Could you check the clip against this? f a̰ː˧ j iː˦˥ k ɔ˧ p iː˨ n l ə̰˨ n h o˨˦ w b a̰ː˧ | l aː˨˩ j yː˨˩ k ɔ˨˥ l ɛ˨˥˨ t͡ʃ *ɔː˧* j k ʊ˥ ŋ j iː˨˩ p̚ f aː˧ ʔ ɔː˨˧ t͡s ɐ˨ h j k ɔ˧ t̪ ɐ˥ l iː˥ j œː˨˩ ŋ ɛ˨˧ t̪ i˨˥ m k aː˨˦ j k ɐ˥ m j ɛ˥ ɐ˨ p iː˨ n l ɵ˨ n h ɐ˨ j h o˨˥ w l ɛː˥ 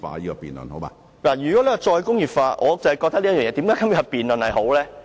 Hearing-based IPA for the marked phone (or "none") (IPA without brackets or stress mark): ɔː˧